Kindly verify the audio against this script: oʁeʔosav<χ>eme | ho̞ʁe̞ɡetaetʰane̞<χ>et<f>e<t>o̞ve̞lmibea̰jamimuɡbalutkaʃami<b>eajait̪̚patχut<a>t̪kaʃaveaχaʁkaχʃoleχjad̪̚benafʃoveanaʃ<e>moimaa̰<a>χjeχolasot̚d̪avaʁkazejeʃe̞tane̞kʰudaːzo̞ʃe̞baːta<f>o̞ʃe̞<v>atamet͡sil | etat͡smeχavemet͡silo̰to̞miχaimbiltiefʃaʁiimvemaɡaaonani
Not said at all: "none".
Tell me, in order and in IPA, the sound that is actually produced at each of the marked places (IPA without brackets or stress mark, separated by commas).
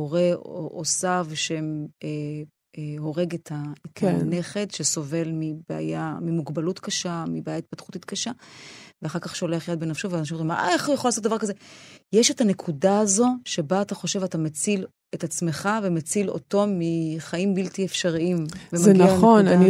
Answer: ʃ, χ, ʃ, s, b, i, i, e, χ, v